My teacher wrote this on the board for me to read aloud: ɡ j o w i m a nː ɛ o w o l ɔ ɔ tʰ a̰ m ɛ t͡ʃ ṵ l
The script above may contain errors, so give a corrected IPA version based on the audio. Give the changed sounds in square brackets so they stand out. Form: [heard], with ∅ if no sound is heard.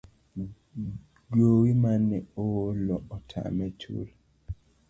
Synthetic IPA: ɡ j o w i m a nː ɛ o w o l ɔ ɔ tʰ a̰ m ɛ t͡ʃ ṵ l